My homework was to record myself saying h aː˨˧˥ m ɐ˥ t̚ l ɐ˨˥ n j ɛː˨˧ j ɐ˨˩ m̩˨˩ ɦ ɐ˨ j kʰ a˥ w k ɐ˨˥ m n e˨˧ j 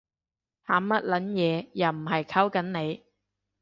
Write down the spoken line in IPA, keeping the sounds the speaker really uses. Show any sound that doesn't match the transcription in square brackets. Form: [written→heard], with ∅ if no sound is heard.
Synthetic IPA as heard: h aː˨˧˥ m ɐ˥ t̚ l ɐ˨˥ n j ɛː˨˧ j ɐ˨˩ m̩˨˩ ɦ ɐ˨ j kʰ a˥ w k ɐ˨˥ [m→n] n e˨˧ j